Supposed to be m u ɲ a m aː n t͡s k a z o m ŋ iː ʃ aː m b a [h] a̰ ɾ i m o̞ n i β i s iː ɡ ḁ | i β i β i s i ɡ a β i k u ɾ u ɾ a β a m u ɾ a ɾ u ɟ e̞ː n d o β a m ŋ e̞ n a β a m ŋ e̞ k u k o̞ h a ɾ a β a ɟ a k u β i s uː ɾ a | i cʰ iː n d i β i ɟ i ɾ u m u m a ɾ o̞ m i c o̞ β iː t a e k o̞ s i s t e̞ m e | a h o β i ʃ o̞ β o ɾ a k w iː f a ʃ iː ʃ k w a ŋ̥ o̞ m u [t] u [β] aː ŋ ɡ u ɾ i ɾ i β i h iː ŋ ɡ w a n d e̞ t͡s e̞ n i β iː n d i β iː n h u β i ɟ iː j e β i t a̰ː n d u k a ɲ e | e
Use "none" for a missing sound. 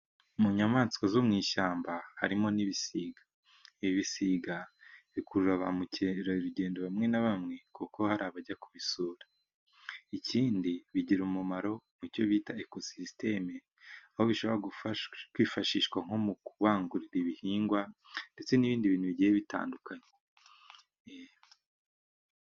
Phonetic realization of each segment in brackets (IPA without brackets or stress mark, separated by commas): h, k, β